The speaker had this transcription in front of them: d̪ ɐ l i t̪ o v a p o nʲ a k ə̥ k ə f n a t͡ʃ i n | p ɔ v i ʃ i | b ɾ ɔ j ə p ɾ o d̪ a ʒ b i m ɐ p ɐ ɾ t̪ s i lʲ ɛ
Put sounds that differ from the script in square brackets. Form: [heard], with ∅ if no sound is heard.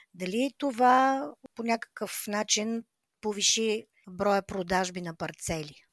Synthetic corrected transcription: d̪ ɐ l i t̪ o v a p o nʲ a k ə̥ k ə f n a t͡ʃ i n | p [o] v i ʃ i | b ɾ ɔ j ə p ɾ o d̪ a ʒ b i [n] ɐ p ɐ ɾ t̪ s [ɛ] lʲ [i]